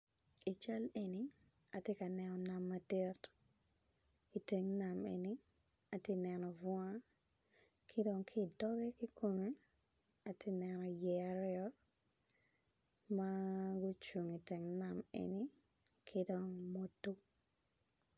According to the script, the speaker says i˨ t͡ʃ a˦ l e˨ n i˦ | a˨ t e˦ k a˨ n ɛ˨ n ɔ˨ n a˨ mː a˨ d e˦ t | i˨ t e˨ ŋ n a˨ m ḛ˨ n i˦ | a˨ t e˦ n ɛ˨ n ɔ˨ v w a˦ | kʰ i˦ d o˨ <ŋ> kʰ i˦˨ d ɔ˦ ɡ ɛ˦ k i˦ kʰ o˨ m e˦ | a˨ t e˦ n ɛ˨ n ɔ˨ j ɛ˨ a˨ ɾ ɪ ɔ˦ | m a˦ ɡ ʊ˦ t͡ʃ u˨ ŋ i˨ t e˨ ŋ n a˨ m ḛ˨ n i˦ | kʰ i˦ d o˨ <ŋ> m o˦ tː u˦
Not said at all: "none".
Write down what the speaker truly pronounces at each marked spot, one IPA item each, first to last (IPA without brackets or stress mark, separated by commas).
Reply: ŋ, ŋ